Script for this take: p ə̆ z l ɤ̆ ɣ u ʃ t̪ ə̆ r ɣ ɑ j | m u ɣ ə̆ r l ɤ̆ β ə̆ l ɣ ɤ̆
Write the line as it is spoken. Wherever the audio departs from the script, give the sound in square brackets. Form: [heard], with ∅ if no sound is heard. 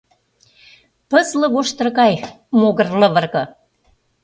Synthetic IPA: p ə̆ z l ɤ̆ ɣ [o] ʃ t̪ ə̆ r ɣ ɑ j | m [o] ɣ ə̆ r l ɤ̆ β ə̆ [r] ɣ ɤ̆